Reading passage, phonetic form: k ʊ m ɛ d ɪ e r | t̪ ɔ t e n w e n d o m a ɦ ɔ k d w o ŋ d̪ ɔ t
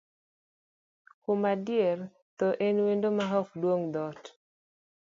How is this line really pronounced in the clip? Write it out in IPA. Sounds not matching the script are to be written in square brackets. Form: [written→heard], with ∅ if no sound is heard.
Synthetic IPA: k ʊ m [ɛ→a] d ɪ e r | t̪ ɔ [t→ʔ] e n w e n d o m a ɦ ɔ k d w o ŋ d̪ ɔ t